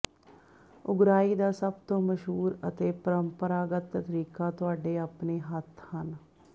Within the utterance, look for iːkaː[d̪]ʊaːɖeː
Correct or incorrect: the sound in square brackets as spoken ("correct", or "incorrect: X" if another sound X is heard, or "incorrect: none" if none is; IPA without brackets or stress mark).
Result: incorrect: t̪